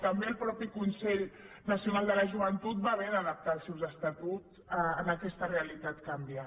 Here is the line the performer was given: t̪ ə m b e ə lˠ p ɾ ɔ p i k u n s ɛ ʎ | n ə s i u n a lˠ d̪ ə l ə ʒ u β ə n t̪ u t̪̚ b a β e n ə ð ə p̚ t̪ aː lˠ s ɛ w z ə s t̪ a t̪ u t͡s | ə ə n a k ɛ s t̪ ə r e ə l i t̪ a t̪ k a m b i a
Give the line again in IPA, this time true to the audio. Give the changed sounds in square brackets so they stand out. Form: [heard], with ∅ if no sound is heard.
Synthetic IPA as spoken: t̪ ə m b e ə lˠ p ɾ ɔ p i k u n s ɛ ʎ | n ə s i u n a lˠ d̪ ə l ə ʒ u β ə n t̪ u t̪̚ b a β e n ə ð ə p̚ t̪ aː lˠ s ɛ w z ə s t̪ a t̪ u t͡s | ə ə n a k ɛ s t̪ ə r e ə l i t̪ a t̪ k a m b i a